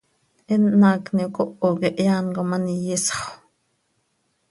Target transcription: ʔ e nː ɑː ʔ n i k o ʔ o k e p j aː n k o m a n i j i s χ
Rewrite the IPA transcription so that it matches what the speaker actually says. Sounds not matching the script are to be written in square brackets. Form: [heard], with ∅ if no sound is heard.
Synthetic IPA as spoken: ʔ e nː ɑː [k] n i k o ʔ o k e [ʔ] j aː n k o m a n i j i s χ